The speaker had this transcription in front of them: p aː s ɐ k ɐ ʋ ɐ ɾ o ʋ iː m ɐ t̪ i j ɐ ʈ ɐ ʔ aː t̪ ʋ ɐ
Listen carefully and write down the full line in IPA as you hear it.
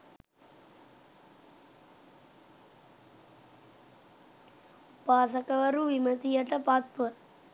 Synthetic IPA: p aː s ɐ k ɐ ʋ ɐ ɾ u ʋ i m ɐ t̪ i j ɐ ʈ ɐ p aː t̪ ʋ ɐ